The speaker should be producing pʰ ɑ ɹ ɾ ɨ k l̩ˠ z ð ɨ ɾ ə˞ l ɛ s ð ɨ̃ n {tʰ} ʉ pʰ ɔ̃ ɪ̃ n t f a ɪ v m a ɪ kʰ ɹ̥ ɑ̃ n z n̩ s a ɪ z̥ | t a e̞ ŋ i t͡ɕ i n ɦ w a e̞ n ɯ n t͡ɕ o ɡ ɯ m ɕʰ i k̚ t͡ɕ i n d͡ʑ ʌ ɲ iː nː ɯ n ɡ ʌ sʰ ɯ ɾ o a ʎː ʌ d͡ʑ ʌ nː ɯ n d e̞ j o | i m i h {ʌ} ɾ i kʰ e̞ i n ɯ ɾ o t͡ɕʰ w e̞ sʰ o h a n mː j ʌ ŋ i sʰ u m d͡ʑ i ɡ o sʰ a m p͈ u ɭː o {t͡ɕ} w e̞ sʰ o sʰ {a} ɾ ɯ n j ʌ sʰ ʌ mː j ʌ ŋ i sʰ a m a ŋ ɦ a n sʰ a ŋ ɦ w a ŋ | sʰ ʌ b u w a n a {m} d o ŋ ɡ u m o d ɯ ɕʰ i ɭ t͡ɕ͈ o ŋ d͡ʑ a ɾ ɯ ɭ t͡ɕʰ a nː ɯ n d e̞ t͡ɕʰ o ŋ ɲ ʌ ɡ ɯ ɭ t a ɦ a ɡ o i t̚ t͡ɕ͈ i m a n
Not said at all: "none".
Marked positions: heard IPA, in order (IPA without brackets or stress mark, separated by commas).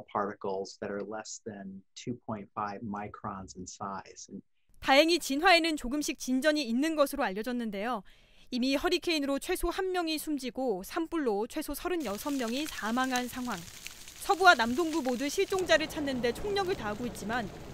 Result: tʰ, ʌ, t͡ɕʰ, ʌ, m